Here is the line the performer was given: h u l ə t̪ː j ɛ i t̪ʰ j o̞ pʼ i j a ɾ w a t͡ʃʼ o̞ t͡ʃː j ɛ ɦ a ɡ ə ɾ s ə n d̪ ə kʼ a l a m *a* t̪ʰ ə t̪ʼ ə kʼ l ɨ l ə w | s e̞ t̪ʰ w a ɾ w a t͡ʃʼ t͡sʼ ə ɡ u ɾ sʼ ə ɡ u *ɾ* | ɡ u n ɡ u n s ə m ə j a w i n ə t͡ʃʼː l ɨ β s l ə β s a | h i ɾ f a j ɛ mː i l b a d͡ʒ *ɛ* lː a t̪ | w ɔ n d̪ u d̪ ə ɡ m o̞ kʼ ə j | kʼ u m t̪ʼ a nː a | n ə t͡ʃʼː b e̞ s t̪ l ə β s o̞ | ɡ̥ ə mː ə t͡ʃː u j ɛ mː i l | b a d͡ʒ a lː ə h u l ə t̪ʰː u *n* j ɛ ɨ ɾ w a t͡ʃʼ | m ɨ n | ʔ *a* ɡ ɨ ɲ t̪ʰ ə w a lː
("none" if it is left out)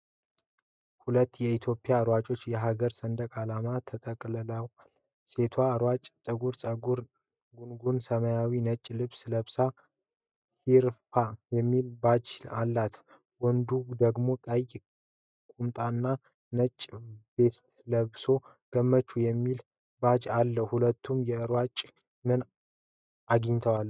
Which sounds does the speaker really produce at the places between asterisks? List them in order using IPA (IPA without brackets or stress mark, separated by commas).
a, ɾ, a, m, a